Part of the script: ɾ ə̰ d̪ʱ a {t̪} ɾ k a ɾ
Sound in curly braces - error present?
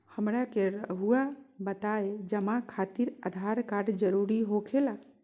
yes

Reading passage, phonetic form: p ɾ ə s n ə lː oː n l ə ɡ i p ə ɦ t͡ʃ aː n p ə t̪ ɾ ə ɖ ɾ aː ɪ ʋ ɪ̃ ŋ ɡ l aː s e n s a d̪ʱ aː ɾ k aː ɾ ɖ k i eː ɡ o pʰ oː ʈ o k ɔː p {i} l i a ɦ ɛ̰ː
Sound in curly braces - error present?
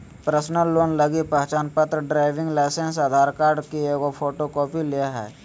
no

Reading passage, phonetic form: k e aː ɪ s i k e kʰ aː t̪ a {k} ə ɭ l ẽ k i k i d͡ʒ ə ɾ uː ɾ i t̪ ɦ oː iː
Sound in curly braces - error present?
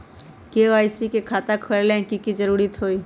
yes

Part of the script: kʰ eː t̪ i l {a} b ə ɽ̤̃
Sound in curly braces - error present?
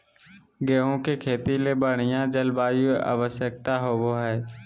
yes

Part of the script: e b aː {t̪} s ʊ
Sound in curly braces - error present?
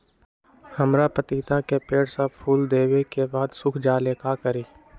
yes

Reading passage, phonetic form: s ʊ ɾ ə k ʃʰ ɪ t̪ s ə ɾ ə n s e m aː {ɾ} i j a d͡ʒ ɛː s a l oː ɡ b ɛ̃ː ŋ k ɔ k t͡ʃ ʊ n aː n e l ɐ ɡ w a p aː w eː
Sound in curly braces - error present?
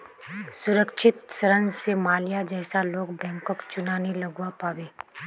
yes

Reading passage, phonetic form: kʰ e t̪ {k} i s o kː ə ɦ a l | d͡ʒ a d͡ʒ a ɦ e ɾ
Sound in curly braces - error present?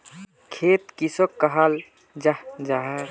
no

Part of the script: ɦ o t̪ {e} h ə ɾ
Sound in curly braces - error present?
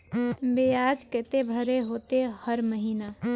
no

